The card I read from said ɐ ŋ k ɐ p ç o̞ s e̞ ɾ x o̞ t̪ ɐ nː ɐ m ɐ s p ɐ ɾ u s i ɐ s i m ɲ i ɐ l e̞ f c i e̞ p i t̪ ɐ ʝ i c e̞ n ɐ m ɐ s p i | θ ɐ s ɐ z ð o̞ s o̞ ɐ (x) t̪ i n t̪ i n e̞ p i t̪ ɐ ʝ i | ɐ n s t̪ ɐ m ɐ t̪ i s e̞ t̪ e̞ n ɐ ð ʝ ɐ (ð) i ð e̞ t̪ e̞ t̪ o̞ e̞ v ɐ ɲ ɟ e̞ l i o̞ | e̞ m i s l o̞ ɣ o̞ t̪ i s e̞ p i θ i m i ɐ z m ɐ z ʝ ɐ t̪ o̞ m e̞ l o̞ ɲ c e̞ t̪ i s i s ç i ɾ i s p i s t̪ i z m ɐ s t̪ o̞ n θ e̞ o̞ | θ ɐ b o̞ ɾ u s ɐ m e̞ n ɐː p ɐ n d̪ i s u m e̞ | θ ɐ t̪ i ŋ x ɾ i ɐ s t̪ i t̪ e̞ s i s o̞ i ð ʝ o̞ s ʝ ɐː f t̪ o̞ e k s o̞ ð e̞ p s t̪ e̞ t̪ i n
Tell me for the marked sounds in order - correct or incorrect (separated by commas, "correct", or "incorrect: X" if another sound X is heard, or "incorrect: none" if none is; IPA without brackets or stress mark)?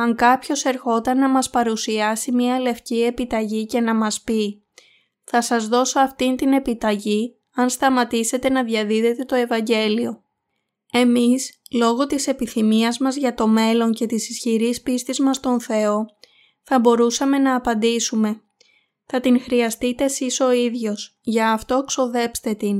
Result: incorrect: f, correct